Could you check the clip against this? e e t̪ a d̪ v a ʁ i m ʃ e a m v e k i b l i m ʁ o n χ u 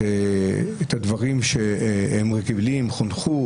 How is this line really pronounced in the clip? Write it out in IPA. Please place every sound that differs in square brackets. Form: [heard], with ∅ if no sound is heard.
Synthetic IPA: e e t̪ a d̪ v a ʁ i m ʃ e [e] m [ʁ] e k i b l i m [χ] o n χ u